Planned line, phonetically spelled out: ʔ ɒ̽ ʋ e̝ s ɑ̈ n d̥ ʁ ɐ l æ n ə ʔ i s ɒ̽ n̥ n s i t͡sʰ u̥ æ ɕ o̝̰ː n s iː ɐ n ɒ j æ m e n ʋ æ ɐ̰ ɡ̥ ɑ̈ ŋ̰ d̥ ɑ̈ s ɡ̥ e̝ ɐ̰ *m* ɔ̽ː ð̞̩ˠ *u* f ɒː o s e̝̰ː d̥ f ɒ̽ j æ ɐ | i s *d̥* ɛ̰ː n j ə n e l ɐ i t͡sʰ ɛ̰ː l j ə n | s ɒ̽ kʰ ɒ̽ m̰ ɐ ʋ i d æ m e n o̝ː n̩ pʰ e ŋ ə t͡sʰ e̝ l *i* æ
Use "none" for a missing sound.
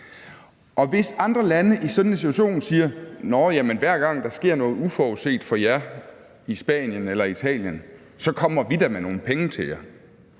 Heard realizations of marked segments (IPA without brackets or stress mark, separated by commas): n, u, b̥, j